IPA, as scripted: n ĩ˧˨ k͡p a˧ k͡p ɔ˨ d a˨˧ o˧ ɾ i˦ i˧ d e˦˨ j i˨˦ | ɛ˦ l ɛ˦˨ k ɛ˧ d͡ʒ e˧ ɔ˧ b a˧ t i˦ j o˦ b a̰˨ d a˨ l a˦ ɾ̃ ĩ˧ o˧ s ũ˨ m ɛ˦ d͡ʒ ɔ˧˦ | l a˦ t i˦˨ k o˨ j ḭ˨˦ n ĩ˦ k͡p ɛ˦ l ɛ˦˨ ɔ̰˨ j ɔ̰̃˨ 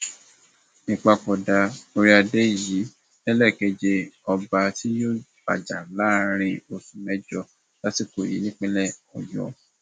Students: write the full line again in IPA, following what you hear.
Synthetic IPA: n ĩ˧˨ k͡p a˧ k͡p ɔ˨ d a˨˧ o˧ ɾ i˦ a˧ d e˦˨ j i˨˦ | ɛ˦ l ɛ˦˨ k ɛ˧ d͡ʒ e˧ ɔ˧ b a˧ t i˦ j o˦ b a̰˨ d͡ʒ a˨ l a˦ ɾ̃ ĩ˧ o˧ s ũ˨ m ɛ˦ d͡ʒ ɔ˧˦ | l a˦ t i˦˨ k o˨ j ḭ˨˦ n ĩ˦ k͡p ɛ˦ l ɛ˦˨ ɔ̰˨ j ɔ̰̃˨